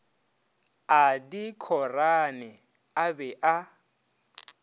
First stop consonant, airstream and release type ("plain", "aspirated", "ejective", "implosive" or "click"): plain